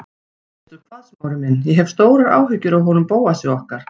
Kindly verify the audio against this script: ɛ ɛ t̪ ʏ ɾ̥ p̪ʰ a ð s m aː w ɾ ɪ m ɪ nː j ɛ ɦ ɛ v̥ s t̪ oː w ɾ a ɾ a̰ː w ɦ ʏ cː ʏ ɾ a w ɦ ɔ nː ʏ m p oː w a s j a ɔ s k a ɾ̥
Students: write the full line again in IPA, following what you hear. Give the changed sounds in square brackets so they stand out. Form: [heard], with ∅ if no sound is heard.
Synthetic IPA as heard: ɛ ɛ t̪ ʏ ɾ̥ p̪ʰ a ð s m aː w ɾ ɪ m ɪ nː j ɛ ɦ ɛ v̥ s t̪ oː w ɾ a ɾ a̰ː w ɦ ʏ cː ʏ ɾ a w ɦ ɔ [n] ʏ m p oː w a s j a ɔ [h] k a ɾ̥